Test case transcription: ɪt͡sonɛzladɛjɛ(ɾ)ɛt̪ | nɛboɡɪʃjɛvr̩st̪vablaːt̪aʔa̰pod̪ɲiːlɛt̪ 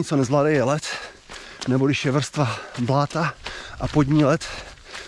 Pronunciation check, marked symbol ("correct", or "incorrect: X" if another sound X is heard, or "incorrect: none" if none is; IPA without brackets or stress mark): incorrect: l